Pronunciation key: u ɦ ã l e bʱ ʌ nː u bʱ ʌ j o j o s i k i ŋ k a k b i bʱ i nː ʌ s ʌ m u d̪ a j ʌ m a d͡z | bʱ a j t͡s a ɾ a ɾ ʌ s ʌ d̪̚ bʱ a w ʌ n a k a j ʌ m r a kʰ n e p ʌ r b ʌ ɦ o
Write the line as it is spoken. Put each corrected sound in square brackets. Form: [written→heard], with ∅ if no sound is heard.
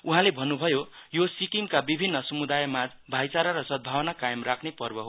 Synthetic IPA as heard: u ɦ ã l e bʱ ʌ nː u bʱ ʌ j o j o s i k i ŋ k a [k→∅] b i bʱ i nː ʌ s ʌ m u d̪ a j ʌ m a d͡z | bʱ a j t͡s a ɾ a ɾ ʌ s ʌ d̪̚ bʱ a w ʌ n a k a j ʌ m r a kʰ n e p ʌ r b ʌ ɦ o